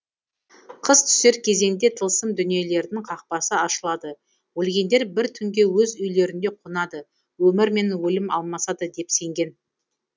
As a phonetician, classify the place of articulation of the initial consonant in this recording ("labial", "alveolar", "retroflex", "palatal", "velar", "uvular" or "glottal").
uvular